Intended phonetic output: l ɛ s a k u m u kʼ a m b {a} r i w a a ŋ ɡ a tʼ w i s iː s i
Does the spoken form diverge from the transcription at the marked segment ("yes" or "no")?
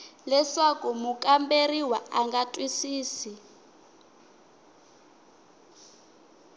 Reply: yes